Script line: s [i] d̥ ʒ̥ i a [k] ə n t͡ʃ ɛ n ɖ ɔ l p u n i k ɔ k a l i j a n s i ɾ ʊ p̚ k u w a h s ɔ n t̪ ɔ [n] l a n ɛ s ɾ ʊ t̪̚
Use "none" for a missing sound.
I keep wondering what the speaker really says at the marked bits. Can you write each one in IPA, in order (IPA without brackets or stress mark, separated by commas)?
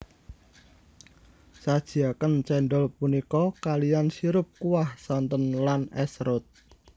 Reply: a, k, n